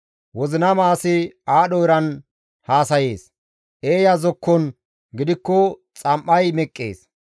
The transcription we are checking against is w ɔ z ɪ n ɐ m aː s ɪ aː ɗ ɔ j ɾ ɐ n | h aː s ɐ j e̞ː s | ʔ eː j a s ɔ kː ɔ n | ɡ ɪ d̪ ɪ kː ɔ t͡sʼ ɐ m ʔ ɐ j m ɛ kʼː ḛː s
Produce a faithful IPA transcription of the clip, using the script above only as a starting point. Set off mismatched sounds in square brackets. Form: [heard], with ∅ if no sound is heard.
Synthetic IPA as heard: w ɔ z ɪ n ɐ m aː s ɪ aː ɗ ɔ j ɾ ɐ n | h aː s ɐ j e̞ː s | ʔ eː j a [z] ɔ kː ɔ n | ɡ ɪ d̪ ɪ kː ɔ t͡sʼ ɐ m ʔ ɐ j m ɛ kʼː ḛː s